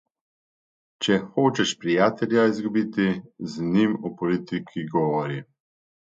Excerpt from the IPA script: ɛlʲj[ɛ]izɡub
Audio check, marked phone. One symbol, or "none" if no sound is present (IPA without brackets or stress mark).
a